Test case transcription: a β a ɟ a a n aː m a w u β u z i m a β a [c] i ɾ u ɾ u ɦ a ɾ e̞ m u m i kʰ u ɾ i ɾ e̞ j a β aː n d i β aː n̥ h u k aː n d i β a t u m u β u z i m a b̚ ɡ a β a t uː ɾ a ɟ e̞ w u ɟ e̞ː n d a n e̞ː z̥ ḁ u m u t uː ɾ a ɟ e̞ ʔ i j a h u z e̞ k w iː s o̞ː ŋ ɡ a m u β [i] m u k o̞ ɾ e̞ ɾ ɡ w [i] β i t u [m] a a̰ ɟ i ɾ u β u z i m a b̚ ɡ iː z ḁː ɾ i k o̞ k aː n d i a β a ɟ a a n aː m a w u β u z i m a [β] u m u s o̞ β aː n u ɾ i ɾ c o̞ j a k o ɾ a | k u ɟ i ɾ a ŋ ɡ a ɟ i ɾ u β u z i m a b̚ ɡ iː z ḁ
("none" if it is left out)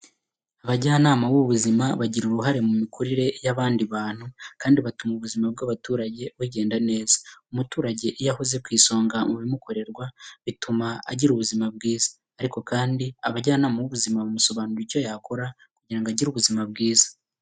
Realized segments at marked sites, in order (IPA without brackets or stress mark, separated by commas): ɟ, i, a, m, β